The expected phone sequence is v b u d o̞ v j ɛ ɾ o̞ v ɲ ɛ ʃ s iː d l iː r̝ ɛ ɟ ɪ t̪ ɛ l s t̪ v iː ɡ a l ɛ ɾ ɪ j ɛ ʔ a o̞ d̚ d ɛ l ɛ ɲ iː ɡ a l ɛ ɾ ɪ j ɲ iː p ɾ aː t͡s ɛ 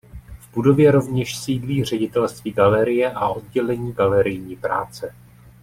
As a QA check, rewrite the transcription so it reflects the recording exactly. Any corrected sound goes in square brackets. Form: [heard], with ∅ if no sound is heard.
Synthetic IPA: v b u d o̞ v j ɛ ɾ o̞ v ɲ ɛ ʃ s iː d l iː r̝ ɛ ɟ ɪ t̪ ɛ l s t̪ v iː ɡ a l ɛ ɾ ɪ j ɛ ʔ a o̞ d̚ [ɟ] ɛ l ɛ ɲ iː ɡ a l ɛ ɾ ɪ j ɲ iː p ɾ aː t͡s ɛ

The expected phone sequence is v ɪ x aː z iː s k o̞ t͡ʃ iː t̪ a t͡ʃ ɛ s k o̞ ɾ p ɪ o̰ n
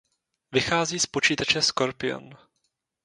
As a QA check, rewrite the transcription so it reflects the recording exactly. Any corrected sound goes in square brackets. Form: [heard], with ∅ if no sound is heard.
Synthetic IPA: v ɪ x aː z iː s [p] o̞ t͡ʃ iː t̪ a t͡ʃ ɛ s k o̞ ɾ p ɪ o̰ n

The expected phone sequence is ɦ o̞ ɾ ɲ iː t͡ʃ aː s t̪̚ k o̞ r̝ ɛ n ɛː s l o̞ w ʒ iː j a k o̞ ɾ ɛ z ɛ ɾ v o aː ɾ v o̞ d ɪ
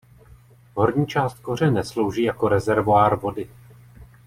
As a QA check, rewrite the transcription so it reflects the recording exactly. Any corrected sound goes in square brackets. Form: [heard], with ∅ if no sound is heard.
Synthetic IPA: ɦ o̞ ɾ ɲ iː t͡ʃ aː s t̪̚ k o̞ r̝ ɛ n [ɛ] s l o̞ w ʒ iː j a k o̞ ɾ ɛ z ɛ ɾ v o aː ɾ v o̞ d ɪ

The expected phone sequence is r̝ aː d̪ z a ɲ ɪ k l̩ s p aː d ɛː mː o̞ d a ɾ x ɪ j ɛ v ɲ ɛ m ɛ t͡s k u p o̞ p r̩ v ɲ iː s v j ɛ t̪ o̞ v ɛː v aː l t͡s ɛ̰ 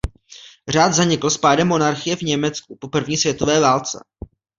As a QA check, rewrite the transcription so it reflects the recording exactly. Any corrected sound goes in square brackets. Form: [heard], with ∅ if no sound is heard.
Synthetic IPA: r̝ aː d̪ z a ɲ ɪ k l̩ s p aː d [ɛ] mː o̞ [n] a ɾ x ɪ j ɛ v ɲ ɛ m ɛ t͡s k u p o̞ p r̩ v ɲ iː s v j ɛ t̪ o̞ v ɛː v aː l t͡s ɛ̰

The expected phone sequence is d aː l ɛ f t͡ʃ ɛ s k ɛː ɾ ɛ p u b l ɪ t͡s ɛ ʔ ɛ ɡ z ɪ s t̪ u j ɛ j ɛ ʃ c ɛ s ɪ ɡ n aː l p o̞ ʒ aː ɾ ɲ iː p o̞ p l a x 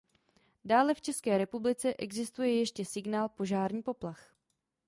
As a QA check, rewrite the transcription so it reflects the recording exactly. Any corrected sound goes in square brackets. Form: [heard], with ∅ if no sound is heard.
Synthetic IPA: d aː l ɛ f t͡ʃ ɛ s k ɛː ɾ ɛ p u b l ɪ t͡s ɛ ʔ ɛ ɡ z ɪ s t̪ u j ɛ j ɛ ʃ c ɛ s ɪ ɡ n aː l p o̞ ʒ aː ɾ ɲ iː p o̞ p l a x

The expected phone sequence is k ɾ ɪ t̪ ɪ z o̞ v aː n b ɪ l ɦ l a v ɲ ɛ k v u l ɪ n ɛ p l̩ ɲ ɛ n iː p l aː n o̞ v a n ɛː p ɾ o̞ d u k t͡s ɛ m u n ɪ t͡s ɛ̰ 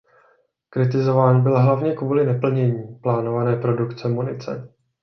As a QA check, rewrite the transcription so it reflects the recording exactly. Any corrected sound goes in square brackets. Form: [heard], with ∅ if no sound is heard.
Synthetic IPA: k ɾ ɪ t̪ ɪ z o̞ v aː n b ɪ l ɦ l a v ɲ ɛ k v [uː] l ɪ n ɛ p l̩ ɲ ɛ [ɲ] iː p l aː n o̞ v a n ɛː p ɾ o̞ d u k t͡s ɛ m u n ɪ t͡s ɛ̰

